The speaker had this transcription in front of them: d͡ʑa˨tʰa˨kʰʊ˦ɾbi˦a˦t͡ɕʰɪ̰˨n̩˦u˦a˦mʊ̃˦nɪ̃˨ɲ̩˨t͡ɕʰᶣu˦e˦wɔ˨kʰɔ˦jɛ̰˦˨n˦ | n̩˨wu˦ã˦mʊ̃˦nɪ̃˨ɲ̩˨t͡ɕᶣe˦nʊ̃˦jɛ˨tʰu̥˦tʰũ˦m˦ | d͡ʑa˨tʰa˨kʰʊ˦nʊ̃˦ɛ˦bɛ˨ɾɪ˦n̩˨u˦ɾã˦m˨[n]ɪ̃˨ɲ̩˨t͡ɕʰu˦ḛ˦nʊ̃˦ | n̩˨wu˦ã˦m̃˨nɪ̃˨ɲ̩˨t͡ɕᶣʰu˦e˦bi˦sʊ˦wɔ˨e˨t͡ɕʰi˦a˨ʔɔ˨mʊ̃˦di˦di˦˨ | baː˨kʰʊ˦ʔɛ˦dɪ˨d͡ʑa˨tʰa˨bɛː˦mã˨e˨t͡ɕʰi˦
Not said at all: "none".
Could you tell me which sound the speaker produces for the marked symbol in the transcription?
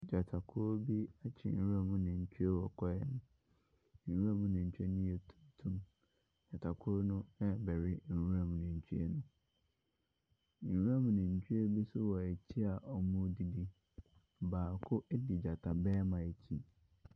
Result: n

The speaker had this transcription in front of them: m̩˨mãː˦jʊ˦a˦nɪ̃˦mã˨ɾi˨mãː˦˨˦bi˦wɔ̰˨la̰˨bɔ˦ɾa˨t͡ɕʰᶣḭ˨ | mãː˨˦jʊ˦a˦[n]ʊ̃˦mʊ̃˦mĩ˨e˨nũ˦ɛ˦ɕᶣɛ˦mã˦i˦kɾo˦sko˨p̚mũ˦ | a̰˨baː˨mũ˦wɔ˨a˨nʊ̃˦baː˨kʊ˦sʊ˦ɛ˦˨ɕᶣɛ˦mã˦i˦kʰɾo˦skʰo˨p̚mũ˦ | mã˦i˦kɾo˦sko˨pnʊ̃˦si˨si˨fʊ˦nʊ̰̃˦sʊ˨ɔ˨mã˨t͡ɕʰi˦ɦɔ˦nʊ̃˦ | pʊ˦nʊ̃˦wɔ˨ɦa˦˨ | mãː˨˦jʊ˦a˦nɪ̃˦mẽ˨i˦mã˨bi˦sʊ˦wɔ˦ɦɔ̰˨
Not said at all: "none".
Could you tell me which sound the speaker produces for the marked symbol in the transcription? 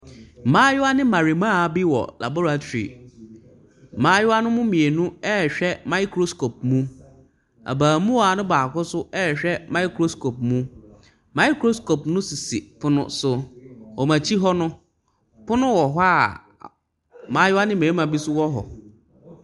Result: n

